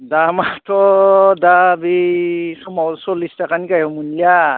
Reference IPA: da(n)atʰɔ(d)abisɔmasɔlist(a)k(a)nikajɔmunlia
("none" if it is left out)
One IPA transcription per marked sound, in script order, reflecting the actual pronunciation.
m, d, a, a

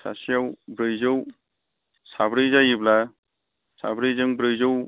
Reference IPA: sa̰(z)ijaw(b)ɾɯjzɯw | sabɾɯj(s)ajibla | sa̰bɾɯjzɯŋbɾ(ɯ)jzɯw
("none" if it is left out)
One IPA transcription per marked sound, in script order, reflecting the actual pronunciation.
s, b, z, ɯ

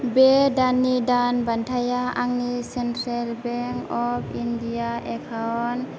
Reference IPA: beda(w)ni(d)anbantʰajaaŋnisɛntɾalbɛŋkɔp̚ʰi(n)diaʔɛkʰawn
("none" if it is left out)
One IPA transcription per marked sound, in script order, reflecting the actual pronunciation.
none, d, n

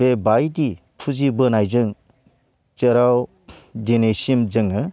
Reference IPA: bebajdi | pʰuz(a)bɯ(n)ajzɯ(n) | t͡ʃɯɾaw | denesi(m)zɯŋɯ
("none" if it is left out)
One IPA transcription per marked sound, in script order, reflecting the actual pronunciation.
i, n, ŋ, m

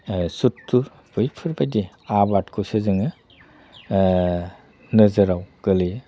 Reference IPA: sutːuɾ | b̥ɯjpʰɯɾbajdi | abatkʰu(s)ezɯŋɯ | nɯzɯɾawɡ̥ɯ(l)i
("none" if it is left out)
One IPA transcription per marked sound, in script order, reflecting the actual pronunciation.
s, l

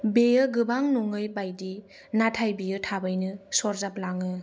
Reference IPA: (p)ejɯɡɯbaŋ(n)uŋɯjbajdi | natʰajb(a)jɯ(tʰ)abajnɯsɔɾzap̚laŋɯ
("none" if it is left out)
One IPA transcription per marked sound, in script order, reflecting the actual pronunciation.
b, n, i, tʰ

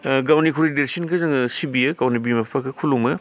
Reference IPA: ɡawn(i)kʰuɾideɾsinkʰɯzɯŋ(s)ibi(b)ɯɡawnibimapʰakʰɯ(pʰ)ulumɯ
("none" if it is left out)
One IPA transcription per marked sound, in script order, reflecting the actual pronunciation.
i, s, none, kʰ

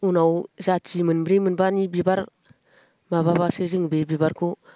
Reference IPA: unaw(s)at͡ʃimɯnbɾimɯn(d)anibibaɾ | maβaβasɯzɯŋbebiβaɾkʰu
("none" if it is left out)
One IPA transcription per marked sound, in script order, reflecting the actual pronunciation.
z, b

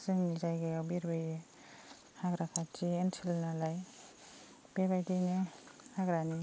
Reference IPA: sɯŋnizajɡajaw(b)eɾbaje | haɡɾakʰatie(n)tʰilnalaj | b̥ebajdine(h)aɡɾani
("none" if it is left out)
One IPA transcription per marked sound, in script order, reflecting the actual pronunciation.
b, n, h

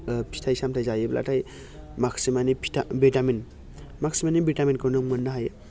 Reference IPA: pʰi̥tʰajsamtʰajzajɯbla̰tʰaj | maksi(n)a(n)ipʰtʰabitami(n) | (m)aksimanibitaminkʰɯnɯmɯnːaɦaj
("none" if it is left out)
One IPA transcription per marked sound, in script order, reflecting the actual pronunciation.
m, n, n, m

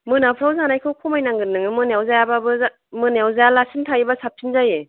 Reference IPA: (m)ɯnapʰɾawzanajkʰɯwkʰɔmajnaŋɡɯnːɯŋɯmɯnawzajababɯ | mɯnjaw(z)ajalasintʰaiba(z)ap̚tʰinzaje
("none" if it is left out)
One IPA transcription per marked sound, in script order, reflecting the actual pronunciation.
m, z, s

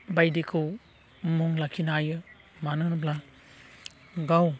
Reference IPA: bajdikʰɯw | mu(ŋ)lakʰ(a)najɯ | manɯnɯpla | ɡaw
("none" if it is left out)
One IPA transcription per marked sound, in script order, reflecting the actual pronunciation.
ŋ, i

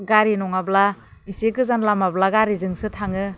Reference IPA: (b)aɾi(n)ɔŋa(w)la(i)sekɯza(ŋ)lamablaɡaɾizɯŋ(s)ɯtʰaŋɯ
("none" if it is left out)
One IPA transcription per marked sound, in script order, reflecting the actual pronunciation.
ɡ, n, b, i, n, s

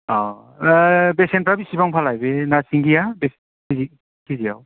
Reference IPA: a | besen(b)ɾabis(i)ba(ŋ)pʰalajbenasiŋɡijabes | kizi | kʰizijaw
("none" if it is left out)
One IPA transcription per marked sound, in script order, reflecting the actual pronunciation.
p, i, ŋ

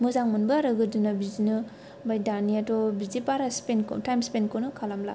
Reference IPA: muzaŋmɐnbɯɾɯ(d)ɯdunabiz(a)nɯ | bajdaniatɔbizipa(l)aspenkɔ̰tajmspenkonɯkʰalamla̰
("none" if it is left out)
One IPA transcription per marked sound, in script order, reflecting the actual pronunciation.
ɡ, i, ɾ

